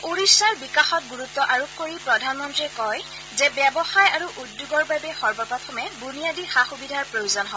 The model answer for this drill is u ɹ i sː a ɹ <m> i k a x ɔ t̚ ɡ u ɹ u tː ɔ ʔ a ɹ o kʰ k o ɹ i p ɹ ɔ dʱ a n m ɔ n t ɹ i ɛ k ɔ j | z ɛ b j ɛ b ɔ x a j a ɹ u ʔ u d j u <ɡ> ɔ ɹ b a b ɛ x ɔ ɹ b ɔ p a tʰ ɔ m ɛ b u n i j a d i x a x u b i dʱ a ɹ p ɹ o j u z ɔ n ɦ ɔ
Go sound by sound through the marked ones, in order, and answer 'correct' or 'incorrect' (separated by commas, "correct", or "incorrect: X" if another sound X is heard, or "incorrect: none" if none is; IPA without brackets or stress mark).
incorrect: b, correct